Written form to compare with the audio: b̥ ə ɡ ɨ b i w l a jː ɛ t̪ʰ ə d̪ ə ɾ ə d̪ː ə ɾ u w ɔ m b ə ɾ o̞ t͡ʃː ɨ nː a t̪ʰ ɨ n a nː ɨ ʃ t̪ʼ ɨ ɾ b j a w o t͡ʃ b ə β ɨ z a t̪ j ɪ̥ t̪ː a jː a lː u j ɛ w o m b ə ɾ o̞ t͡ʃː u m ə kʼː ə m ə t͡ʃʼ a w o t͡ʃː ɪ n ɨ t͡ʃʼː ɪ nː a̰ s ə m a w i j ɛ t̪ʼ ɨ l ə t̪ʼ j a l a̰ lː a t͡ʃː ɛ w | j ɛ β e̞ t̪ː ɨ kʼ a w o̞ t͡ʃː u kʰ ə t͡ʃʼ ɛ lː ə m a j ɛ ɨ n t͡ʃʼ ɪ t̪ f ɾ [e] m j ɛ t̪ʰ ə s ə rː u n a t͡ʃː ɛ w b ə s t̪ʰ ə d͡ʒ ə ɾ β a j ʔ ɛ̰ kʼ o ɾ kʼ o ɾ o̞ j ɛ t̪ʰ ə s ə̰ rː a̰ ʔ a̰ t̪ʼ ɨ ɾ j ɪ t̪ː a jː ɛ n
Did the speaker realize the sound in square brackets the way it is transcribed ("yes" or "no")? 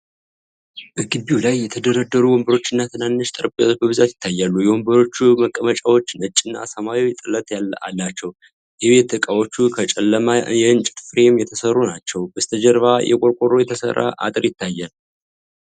yes